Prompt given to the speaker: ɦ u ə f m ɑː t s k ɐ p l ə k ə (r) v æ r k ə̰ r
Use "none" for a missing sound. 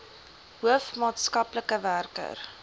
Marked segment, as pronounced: none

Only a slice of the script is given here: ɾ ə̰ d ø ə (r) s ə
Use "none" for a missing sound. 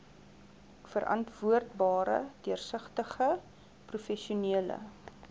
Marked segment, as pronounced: r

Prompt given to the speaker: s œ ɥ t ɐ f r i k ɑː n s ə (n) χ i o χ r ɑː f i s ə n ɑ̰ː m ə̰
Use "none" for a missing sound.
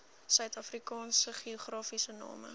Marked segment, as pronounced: none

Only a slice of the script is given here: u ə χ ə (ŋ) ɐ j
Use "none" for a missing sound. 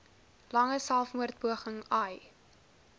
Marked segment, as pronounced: ŋ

